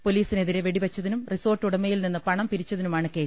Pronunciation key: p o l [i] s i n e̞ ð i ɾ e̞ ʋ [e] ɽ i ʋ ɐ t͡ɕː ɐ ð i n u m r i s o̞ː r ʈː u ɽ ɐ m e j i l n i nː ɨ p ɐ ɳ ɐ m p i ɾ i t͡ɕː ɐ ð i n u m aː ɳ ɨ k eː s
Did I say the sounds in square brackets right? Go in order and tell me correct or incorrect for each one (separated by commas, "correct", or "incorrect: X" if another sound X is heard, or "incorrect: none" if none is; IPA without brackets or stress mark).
incorrect: iː, correct